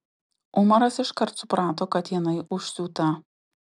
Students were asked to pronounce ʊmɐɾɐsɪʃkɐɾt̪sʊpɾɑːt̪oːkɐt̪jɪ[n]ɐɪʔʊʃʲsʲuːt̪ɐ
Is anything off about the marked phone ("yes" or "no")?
no